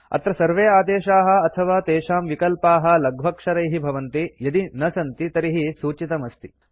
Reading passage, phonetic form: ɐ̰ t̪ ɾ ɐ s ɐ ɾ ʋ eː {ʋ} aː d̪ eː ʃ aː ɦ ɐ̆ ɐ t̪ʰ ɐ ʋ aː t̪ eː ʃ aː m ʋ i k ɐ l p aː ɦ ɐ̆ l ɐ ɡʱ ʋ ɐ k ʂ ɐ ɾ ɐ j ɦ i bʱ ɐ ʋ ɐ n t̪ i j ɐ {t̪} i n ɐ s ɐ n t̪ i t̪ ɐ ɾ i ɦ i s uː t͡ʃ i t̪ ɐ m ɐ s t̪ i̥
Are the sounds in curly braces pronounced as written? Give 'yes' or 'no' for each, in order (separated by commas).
no, no